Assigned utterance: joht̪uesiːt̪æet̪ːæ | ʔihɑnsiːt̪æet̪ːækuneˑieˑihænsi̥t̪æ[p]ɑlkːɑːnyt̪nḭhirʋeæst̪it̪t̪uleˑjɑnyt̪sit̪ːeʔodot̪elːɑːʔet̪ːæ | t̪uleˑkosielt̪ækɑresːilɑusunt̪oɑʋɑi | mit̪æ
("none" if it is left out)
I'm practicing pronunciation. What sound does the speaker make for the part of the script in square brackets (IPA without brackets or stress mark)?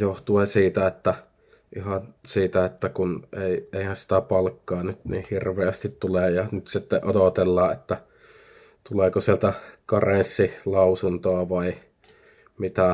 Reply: p